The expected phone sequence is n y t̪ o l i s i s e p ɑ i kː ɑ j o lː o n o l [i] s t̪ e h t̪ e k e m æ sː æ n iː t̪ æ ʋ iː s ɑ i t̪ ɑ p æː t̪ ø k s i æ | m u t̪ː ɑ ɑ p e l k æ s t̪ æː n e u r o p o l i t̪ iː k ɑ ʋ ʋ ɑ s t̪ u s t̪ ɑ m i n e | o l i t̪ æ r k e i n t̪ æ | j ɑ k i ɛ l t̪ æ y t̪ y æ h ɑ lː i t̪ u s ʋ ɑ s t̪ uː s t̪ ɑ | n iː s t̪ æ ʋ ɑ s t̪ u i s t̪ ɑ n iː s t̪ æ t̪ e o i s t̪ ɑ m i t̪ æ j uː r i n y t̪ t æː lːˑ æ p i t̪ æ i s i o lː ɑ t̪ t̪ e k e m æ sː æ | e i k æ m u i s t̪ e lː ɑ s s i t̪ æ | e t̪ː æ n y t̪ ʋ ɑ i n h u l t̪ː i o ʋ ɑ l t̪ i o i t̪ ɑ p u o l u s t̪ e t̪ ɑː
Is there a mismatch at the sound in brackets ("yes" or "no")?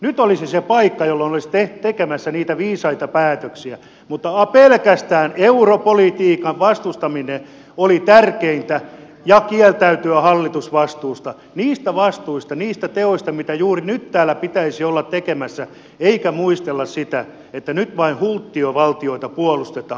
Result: no